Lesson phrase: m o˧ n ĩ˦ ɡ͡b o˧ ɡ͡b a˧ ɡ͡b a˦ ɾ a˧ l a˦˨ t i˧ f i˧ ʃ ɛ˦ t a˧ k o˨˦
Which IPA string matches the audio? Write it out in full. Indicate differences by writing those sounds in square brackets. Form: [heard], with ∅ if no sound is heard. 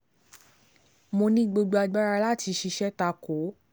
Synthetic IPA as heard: m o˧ n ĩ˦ ɡ͡b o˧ ɡ͡b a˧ ɡ͡b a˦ ɾ a˧ l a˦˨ t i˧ [ʃ] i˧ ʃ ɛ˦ t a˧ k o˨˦